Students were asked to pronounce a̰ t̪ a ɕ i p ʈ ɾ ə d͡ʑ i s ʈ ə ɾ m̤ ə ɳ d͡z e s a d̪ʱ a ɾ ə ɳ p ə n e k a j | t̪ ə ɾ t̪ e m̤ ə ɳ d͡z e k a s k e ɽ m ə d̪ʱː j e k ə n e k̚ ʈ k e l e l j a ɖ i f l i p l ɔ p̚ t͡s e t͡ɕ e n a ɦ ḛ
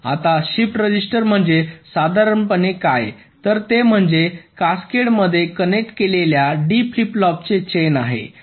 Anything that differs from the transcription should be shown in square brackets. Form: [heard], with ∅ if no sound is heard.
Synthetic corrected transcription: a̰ t̪ a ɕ i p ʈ ɾ ə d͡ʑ i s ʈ ə ɾ m̤ ə ɳ d͡z e s a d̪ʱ a ɾ ə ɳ p ə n e k a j | t̪ ə ɾ t̪ e m̤ ə ɳ d͡z e k a s k e ɽ m ə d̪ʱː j e k ə n e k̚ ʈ k e l e l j a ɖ i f l i p l ɔ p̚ t͡s e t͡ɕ e n a ɦ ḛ